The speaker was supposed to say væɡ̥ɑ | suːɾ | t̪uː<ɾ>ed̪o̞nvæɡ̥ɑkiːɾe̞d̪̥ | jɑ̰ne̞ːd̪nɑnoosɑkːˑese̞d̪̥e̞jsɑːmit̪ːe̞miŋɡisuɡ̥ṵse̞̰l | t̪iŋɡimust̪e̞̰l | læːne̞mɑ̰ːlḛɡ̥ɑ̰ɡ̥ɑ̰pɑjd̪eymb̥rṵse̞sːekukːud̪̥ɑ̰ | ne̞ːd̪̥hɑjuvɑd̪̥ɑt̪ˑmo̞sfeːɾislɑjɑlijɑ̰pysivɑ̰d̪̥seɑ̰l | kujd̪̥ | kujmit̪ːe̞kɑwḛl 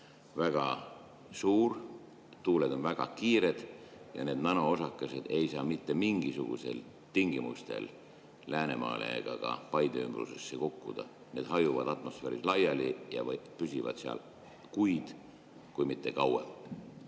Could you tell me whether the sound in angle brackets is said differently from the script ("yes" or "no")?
yes